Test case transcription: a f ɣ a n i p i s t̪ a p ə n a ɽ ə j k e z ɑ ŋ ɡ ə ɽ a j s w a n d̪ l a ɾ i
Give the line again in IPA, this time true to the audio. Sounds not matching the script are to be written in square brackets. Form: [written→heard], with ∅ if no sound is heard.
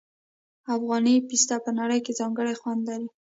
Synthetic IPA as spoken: a f ɣ [a→ɑ] n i p i s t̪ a p ə n a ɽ ə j k e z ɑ ŋ ɡ ə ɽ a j [s→x] w a n d̪ l a ɾ i